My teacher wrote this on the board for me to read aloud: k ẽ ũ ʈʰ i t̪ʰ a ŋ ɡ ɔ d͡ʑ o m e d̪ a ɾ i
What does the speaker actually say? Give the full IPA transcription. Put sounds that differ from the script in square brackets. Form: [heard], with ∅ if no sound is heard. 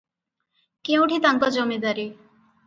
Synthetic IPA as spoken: k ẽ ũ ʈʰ i [t̪] a ŋ [k] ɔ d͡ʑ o m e d̪ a ɾ i